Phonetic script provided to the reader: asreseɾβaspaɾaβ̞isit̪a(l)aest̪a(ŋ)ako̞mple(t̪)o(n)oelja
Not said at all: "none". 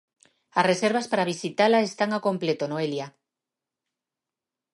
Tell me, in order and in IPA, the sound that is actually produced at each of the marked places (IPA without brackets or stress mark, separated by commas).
l, ŋ, t̪, n